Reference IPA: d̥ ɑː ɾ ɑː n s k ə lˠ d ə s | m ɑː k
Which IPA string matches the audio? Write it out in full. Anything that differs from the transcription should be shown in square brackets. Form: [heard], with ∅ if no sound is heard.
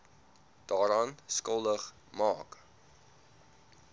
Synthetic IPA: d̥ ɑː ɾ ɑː n s k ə lˠ d ə [χ] | m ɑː k